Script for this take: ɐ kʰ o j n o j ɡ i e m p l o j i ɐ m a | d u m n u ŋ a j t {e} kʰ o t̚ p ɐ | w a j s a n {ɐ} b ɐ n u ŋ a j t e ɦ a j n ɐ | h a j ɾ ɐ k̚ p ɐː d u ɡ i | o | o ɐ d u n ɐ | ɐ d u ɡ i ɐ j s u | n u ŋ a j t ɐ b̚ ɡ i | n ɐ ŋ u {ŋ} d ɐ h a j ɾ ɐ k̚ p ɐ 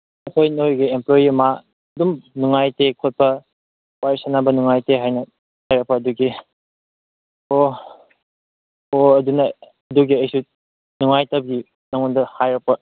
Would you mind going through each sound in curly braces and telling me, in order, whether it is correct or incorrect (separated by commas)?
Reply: correct, incorrect, incorrect